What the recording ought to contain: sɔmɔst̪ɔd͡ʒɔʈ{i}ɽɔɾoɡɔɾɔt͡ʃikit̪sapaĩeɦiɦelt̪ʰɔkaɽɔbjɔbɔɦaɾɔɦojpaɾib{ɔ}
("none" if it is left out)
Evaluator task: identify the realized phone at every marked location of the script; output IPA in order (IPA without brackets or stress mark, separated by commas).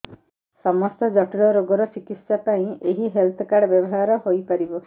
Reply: i, ɔ